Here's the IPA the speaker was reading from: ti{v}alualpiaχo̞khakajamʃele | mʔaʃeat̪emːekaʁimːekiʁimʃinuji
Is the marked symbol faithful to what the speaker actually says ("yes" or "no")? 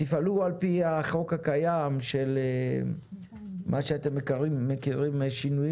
no